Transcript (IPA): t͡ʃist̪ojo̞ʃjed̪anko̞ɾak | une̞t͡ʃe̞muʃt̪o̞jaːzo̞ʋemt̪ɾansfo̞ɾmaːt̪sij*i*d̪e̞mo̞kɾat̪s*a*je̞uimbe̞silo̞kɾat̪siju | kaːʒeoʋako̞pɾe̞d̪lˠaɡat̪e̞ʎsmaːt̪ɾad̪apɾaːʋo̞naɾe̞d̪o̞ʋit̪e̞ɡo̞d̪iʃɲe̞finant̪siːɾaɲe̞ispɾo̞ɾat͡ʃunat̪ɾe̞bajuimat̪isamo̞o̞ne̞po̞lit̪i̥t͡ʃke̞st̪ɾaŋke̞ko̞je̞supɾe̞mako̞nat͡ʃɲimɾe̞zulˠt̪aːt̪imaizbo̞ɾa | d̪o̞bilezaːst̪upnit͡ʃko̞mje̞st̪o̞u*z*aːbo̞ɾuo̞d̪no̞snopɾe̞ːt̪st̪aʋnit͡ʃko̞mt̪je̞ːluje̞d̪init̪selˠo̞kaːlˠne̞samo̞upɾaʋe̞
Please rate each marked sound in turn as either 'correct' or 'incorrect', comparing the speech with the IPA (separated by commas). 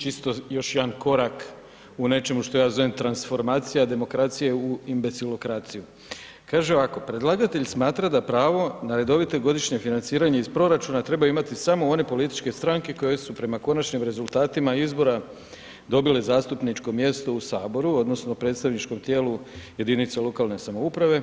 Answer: incorrect, incorrect, incorrect